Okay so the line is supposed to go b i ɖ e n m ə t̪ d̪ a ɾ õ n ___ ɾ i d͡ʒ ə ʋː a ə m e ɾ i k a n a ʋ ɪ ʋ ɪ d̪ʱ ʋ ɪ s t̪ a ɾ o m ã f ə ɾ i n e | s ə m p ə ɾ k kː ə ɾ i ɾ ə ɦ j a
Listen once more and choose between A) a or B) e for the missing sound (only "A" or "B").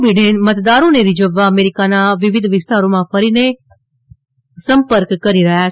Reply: B